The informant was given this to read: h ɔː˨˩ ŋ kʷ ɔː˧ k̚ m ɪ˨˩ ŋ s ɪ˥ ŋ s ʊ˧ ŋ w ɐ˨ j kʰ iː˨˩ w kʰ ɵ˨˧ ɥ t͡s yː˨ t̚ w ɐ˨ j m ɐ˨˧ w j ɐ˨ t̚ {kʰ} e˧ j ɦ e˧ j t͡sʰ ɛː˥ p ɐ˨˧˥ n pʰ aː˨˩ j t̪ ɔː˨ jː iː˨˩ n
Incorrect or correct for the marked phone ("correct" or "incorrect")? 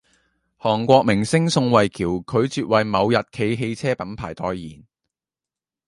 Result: correct